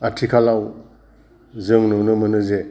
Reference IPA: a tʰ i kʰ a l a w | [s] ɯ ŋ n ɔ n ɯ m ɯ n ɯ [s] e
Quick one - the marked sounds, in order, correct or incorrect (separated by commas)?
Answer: incorrect, incorrect